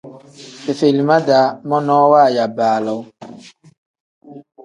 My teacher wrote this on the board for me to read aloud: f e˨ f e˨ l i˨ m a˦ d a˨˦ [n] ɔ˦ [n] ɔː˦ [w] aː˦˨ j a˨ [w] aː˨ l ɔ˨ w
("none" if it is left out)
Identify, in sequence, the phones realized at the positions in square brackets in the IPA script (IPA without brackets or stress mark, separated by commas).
m, n, w, b